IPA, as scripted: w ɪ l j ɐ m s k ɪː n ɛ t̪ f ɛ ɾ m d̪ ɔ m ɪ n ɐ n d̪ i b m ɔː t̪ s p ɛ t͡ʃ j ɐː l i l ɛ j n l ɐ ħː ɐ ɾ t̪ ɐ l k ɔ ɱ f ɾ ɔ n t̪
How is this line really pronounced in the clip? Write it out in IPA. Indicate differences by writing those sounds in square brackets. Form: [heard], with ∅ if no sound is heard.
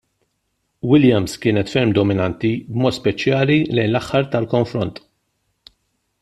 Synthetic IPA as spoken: w ɪ l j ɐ m s k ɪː n ɛ t̪ f ɛ ɾ m d̪ ɔ m ɪ n ɐ n [t̪] i b m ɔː t̪ s p ɛ t͡ʃ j ɐː l i l ɛ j n l ɐ ħː ɐ ɾ t̪ ɐ l k ɔ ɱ f ɾ ɔ n t̪